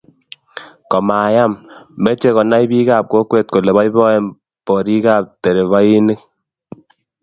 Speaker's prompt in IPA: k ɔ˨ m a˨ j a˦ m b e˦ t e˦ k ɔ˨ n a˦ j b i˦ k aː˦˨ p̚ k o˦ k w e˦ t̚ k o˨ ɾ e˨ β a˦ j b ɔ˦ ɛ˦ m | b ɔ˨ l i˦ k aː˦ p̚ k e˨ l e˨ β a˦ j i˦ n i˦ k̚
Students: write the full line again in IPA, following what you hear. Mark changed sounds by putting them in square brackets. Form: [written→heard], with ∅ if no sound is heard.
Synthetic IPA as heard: k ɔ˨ m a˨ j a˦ m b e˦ [t→t͡ʃ] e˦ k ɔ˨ n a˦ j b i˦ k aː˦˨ p̚ k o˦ k w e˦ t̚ k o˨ [ɾ→l] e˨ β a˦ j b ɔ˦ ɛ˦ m | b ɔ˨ [l→ɾ] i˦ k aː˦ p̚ [k→t] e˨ [l→ɾ] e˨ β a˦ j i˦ n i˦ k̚

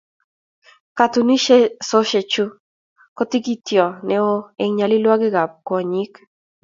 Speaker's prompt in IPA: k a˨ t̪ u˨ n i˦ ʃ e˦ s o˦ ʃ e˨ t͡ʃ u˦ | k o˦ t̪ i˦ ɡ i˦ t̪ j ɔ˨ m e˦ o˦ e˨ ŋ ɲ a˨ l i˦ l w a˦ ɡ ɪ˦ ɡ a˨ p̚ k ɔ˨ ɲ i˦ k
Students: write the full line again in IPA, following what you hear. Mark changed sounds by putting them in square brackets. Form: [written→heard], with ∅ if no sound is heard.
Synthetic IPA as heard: k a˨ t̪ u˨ n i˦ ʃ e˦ s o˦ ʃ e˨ t͡ʃ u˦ | k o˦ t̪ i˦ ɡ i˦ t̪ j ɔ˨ [m→n] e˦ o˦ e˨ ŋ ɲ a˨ l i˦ l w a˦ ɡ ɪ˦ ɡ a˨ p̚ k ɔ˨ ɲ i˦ k

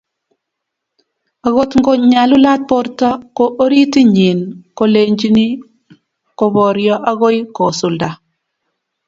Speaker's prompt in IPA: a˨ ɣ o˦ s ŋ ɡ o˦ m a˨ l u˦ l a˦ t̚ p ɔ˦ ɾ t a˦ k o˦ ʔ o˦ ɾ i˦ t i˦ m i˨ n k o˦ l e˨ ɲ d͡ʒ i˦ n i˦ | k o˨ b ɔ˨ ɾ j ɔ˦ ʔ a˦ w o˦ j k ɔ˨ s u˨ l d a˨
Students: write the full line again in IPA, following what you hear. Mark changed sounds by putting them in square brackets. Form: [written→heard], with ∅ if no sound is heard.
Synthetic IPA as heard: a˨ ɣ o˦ [s→t] ŋ ɡ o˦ [m→ɲ] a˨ l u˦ l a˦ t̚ p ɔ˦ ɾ t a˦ k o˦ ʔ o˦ ɾ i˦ t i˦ [m→ɲ] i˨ n k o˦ l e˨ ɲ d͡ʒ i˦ n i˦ | k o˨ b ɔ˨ ɾ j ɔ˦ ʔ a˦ [w→ɣ] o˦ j k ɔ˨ s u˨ l d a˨

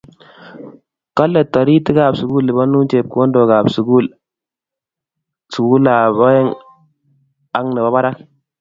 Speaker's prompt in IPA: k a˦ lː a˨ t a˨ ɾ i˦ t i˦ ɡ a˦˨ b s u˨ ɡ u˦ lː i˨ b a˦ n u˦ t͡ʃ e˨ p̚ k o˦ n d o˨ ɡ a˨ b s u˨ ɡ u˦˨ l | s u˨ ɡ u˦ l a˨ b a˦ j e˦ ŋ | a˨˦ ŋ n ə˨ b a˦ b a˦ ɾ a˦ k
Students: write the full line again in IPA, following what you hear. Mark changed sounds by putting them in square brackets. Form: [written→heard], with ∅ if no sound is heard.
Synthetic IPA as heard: k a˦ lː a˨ t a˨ ɾ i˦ t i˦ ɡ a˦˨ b s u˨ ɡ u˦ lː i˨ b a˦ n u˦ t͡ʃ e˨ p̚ k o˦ n d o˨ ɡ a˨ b s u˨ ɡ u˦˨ l | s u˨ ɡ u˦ l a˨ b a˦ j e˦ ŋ | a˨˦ ŋ n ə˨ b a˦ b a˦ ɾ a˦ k

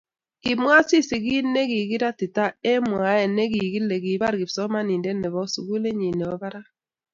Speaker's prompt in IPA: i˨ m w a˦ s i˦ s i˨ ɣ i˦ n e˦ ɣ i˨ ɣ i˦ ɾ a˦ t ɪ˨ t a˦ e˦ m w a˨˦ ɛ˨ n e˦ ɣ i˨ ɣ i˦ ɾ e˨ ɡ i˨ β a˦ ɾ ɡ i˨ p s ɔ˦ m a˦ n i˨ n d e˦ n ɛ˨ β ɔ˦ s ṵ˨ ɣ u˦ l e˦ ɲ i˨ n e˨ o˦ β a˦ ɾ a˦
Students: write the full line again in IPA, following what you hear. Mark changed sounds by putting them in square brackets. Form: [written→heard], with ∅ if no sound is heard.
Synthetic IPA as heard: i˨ m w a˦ s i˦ s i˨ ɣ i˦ n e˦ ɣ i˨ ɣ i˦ ɾ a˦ t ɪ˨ t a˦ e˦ m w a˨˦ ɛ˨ n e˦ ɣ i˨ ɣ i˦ [ɾ→l] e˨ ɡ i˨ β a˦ ɾ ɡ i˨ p s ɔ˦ m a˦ n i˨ n d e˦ n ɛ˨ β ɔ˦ s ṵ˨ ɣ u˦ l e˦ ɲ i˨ n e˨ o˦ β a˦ ɾ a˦

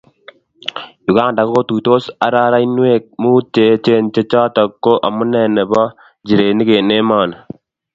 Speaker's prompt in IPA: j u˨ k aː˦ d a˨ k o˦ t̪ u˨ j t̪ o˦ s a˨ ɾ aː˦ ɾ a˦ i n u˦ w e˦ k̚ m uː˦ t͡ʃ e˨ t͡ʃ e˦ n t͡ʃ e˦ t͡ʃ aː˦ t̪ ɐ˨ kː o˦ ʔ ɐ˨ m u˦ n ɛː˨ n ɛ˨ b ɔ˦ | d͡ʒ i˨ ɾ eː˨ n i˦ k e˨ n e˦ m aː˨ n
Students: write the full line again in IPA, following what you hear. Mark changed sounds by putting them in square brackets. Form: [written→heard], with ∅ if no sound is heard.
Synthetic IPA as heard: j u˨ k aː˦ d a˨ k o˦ t̪ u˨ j t̪ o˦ s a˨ ɾ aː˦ ɾ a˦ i n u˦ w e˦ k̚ m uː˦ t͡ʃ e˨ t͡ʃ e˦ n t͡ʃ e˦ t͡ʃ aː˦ t̪ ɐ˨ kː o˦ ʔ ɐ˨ m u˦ n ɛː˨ n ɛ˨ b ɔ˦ | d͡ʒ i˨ ɾ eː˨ n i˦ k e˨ n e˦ m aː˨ n

